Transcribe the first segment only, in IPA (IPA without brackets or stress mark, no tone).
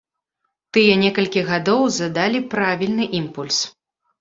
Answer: t̪